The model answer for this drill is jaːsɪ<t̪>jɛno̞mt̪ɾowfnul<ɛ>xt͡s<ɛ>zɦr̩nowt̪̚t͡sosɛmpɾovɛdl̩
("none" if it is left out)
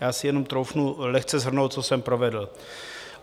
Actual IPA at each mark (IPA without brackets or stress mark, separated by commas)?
none, ɛ, ɛ